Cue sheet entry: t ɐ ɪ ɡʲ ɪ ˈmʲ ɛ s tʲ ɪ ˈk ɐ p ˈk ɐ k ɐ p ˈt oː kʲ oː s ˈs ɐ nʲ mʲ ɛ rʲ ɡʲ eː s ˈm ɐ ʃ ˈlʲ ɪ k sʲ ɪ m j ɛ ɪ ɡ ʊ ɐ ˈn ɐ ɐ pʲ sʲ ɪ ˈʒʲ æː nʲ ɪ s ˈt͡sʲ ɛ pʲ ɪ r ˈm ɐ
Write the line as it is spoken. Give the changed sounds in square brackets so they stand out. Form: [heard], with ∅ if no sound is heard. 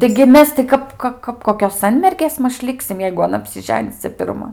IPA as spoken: t ɐ ɪ ɡʲ ɪ ˈmʲ ɛ s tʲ ɪ ˈk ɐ p ˈk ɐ k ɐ p [ˈk] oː kʲ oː s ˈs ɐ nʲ mʲ ɛ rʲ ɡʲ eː s ˈm ɐ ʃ ˈlʲ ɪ k sʲ ɪ m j ɛ ɪ ɡ ʊ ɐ ˈn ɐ ɐ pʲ sʲ ɪ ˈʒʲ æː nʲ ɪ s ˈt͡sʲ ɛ pʲ ɪ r ˈm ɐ